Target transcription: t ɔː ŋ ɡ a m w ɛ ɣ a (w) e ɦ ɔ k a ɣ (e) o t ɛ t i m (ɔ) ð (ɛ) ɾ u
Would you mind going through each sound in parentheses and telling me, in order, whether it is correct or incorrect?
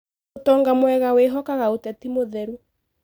correct, incorrect, incorrect, correct

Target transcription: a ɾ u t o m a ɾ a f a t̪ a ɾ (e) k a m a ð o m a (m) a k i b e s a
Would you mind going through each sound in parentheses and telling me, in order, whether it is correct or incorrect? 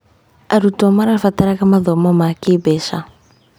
incorrect, correct

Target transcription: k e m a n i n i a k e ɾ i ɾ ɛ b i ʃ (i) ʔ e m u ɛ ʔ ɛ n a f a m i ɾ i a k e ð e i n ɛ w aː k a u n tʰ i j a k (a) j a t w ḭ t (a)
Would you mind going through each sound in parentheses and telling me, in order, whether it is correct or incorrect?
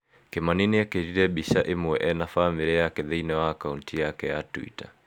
incorrect, incorrect, correct

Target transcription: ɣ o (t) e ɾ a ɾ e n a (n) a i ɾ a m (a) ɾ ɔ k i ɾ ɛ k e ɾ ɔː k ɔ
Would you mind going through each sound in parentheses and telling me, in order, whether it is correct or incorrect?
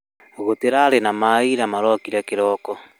correct, incorrect, correct

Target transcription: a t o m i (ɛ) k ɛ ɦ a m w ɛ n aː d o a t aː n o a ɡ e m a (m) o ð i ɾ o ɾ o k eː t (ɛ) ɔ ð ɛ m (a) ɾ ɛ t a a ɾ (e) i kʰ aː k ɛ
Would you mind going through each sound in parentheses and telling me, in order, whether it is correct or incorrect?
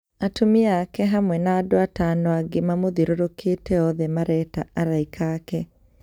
incorrect, correct, correct, correct, incorrect

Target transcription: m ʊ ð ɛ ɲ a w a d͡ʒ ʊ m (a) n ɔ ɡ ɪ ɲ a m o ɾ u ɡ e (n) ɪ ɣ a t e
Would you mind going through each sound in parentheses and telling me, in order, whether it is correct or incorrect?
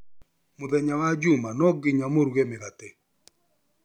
correct, incorrect

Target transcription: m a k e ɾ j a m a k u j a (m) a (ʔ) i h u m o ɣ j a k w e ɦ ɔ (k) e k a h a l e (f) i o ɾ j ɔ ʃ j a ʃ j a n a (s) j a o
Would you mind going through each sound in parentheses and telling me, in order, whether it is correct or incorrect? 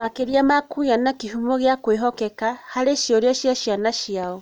incorrect, incorrect, correct, incorrect, incorrect

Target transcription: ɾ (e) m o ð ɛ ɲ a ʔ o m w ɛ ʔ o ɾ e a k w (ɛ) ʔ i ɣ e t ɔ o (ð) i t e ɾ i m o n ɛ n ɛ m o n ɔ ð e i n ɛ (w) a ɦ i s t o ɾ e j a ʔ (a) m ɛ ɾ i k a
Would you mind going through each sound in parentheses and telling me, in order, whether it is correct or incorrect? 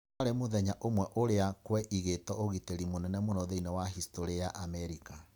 correct, correct, incorrect, correct, correct

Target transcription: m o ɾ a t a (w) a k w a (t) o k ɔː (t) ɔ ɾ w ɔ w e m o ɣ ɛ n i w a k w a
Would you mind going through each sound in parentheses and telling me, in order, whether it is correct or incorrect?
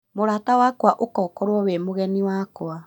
correct, incorrect, incorrect

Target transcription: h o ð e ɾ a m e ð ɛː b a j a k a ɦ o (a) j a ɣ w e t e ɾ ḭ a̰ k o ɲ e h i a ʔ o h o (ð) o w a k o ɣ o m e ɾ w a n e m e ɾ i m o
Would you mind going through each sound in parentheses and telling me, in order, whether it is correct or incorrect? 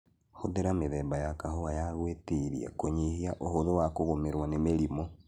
correct, correct

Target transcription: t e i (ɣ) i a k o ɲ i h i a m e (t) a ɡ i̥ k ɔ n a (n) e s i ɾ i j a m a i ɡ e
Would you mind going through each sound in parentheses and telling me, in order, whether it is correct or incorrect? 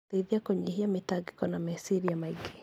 incorrect, correct, incorrect

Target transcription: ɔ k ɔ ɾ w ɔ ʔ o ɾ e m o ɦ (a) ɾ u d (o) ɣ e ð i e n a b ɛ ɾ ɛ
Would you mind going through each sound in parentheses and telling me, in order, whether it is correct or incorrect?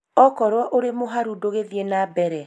correct, correct

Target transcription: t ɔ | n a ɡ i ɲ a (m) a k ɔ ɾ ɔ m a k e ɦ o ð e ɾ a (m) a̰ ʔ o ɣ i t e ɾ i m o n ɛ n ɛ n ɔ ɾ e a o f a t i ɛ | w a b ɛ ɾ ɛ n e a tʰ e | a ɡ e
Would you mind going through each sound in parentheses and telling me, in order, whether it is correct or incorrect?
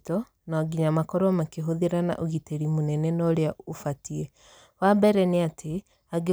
correct, incorrect

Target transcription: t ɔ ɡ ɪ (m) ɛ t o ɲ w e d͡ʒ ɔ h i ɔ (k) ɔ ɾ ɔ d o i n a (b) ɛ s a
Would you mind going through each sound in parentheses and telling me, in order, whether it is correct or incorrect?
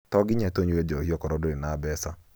incorrect, correct, correct

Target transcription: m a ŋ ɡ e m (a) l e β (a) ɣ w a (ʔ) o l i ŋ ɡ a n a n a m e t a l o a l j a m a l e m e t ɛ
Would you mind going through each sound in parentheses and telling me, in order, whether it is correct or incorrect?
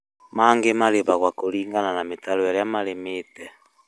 correct, correct, incorrect

